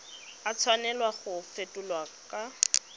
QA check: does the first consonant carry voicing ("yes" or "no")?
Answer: no